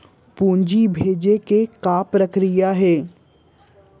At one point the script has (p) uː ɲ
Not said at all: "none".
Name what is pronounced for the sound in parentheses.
p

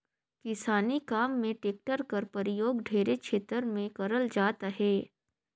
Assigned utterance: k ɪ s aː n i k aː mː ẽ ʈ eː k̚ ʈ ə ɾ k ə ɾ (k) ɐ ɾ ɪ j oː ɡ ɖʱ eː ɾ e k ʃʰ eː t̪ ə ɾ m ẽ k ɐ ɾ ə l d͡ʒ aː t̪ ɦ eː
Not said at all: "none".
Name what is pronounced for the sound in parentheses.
p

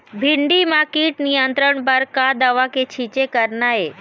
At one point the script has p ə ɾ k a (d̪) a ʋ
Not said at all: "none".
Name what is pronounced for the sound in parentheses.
d̪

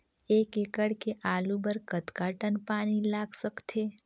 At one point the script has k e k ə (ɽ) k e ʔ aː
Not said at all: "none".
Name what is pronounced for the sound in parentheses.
ɽ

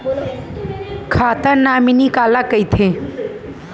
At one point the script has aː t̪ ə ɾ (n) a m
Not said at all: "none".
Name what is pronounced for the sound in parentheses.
n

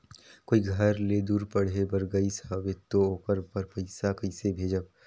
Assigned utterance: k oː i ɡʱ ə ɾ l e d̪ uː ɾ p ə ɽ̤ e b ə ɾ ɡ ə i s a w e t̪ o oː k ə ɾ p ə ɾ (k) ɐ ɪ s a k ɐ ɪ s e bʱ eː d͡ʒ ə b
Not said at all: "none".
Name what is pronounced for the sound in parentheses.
p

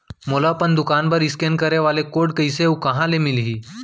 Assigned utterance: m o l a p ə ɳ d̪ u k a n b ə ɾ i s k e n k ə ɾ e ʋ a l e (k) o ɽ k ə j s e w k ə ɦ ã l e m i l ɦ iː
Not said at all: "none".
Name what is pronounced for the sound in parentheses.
k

